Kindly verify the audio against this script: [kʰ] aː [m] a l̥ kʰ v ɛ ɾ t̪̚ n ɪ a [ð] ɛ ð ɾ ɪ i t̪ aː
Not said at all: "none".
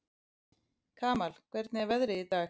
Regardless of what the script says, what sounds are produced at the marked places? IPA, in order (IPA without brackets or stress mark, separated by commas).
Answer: kʰ, m, v